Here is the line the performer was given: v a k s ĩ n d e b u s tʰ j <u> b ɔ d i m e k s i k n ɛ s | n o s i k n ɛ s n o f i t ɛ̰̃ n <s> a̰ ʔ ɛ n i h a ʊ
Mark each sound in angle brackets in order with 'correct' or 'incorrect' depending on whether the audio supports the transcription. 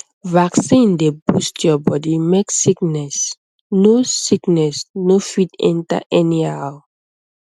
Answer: incorrect: ɔ, incorrect: t

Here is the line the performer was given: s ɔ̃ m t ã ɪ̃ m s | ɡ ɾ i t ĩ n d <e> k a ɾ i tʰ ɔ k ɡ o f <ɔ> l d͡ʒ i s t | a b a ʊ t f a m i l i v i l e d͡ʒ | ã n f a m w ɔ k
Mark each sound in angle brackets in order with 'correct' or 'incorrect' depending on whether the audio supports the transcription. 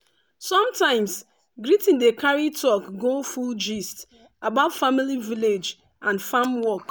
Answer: correct, incorrect: u

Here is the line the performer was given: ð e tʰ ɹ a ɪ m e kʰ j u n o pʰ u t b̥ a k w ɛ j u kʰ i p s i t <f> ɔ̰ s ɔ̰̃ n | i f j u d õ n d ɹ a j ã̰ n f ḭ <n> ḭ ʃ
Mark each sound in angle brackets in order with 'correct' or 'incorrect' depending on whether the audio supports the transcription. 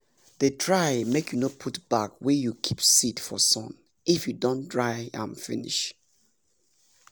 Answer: correct, correct

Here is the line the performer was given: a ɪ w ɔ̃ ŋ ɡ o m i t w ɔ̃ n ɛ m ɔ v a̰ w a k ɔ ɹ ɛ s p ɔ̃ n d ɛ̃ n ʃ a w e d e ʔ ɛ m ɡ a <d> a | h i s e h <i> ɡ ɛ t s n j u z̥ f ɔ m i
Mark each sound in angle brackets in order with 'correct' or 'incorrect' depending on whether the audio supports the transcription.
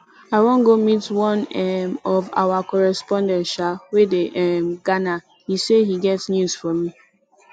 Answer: incorrect: n, correct

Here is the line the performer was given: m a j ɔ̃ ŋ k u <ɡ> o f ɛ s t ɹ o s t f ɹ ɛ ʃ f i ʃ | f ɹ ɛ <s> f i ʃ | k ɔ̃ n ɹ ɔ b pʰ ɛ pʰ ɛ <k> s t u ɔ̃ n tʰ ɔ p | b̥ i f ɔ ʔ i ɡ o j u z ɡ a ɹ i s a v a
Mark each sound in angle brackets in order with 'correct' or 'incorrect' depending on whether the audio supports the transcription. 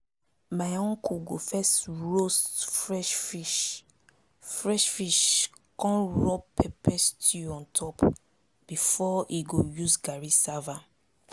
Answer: correct, incorrect: ʃ, incorrect: none

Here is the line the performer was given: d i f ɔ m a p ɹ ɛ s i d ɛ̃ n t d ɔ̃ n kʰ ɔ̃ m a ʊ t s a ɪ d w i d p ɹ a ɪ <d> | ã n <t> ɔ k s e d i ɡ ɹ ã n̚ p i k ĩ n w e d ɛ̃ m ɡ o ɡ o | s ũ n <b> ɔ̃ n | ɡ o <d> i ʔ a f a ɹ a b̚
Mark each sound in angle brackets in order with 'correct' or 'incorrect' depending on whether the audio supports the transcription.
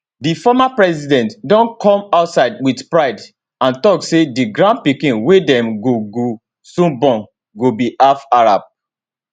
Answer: correct, correct, correct, incorrect: b

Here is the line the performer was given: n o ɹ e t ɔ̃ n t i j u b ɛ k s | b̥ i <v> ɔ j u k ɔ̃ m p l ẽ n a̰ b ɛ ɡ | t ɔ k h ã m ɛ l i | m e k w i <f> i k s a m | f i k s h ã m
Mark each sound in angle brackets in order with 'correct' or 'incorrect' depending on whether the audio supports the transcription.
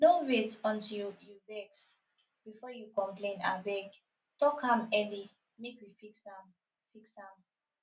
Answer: incorrect: f, correct

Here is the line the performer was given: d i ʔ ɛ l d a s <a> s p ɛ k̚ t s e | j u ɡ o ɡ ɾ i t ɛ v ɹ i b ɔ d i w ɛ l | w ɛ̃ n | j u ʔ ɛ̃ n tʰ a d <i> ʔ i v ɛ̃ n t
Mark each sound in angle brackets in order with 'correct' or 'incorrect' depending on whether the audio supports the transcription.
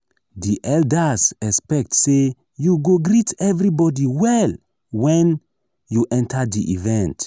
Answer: incorrect: ɛ, correct

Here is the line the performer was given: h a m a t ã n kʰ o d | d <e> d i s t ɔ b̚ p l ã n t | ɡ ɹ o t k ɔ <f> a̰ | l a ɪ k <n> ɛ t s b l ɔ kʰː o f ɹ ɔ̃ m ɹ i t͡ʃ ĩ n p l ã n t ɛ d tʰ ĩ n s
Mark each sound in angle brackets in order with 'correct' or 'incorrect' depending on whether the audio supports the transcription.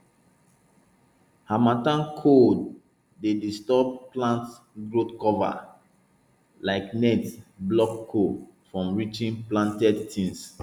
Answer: correct, incorrect: v, correct

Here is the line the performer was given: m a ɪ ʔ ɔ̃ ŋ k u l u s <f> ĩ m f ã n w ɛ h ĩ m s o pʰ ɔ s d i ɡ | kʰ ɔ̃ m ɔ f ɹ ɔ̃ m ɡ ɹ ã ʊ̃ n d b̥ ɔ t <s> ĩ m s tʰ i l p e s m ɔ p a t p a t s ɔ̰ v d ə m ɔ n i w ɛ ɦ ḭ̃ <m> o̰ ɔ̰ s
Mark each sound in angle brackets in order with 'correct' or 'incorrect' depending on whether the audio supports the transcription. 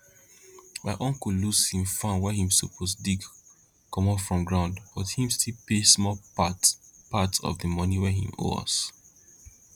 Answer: incorrect: h, incorrect: h, correct

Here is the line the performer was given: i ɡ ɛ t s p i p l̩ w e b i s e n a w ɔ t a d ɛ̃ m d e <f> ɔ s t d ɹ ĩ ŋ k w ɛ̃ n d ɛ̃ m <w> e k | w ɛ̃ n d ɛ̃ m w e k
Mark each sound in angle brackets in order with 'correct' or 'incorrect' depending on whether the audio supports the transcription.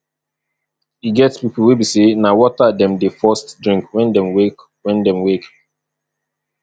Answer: correct, correct

